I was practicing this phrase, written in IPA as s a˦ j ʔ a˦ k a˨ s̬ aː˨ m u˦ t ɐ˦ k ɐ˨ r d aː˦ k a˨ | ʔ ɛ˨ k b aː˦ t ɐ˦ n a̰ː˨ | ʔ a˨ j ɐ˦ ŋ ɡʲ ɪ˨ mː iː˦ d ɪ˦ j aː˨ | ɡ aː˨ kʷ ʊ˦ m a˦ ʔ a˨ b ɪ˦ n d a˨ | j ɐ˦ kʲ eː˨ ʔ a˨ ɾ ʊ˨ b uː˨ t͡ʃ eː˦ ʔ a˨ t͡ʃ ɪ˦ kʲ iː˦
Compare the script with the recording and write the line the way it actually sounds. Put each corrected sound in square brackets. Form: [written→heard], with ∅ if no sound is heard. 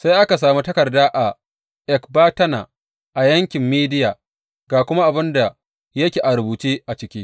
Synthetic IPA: s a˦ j ʔ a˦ k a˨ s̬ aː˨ m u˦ t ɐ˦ k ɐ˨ r d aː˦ [k→ʔ] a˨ | ʔ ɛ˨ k b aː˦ t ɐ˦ n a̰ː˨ | ʔ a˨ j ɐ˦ ŋ [ɡʲ→kʲ] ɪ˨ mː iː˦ d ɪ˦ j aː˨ | ɡ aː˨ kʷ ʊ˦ m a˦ ʔ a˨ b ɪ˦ n d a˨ | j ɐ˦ kʲ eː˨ ʔ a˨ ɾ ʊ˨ b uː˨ t͡ʃ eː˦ ʔ a˨ t͡ʃ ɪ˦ kʲ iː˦